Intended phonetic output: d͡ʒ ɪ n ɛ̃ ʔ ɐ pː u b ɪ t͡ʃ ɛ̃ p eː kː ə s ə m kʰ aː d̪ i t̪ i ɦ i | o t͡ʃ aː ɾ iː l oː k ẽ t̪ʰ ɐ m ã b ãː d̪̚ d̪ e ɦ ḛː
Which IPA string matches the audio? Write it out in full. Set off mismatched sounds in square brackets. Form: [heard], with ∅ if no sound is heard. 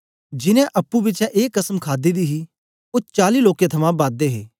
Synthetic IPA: d͡ʒ ɪ n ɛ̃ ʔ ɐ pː u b ɪ t͡ʃ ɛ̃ [ʔ] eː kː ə s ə m kʰ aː d̪ i [d̪] i ɦ i | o t͡ʃ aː [l] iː l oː k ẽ t̪ʰ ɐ m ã b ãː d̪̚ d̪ e ɦ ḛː